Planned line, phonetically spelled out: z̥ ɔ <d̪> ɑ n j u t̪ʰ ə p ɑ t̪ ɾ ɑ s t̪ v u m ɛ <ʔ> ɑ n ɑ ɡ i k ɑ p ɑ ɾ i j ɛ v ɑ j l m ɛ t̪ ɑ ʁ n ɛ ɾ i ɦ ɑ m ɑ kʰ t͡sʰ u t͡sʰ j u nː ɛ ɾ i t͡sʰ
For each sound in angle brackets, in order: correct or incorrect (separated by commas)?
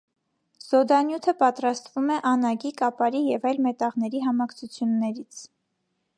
correct, correct